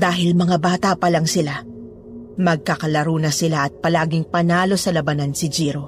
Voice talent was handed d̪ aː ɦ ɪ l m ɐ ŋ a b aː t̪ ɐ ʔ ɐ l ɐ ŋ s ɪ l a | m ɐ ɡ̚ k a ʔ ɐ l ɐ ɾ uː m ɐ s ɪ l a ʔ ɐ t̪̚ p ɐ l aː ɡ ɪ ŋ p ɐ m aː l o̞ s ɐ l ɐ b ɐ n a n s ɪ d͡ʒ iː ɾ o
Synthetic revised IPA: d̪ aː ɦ ɪ l m ɐ ŋ a b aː t̪ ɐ p ɐ l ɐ ŋ s ɪ l a | m ɐ ɡ̚ k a k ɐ l ɐ ɾ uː n ɐ s ɪ l a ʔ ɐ t̪̚ p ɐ l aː ɡ ɪ ŋ p ɐ n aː l o̞ s ɐ l ɐ b ɐ n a n s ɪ d͡ʒ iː ɾ o